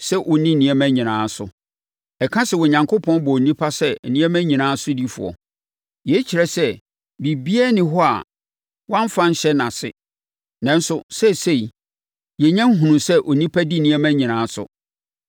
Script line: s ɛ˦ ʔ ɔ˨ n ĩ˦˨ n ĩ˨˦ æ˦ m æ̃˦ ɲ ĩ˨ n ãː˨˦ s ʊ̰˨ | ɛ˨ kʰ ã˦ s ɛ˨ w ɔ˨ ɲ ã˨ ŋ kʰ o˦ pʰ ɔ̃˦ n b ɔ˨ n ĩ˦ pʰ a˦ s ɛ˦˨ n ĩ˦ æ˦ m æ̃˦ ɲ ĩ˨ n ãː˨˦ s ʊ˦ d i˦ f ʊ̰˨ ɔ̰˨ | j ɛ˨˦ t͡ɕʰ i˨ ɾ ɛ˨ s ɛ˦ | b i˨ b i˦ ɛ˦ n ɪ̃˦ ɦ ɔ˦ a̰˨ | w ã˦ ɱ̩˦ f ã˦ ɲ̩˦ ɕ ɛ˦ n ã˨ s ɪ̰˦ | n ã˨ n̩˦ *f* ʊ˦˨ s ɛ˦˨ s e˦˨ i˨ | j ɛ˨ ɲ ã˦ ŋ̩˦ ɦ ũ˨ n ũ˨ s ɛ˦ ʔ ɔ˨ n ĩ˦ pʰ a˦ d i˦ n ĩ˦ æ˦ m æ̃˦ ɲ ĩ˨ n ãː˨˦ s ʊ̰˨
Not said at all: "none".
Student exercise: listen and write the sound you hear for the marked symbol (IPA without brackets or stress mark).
s